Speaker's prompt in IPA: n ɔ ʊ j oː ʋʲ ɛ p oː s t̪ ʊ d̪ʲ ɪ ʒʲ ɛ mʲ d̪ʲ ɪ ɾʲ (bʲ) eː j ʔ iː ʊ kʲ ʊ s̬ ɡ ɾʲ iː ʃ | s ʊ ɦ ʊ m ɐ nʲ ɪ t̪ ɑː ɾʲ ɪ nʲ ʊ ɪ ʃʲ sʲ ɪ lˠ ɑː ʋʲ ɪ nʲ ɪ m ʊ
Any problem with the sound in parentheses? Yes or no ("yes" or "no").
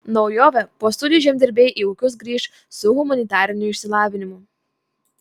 no